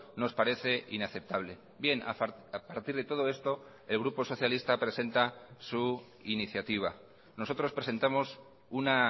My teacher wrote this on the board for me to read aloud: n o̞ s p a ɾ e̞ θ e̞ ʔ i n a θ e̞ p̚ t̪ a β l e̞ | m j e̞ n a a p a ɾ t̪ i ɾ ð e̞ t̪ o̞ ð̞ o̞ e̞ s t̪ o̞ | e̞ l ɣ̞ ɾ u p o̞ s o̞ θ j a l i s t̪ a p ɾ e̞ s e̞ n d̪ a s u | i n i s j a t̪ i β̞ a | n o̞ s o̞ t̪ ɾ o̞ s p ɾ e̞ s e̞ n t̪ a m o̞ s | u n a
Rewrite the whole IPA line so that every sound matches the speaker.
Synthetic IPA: n o̞ s p a ɾ e̞ θ e̞ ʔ i n a θ e̞ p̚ t̪ a β l e̞ | b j e̞ n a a p a ɾ t̪ i ɾ ð e̞ t̪ o̞ ð̞ o̞ e̞ s t̪ o̞ | e̞ l ɣ̞ ɾ u p o̞ s o̞ θ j a l i s t̪ a p ɾ e̞ s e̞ n t̪ a s u | i n i θ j a t̪ i β̞ a | n o̞ s o̞ t̪ ɾ o̞ s p ɾ e̞ s e̞ n t̪ a m o̞ s | u n a